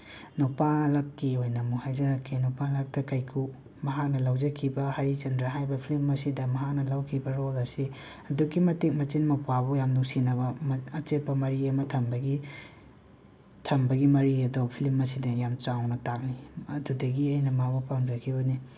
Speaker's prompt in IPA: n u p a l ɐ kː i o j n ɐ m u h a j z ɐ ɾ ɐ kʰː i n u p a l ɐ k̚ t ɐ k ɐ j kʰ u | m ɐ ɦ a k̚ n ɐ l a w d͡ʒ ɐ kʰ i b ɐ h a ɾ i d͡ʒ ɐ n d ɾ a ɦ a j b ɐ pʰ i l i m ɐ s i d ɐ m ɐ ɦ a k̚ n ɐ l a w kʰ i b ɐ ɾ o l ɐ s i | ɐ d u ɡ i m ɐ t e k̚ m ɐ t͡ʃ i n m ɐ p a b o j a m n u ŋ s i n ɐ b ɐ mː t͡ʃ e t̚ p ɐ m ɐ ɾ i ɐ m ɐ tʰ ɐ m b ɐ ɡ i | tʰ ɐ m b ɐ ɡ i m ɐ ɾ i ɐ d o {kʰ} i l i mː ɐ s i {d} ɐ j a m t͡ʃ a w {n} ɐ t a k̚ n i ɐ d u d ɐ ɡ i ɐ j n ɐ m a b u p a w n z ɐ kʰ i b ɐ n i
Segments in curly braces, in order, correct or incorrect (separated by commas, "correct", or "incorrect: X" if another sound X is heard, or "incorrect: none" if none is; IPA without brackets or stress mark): incorrect: pʰ, correct, correct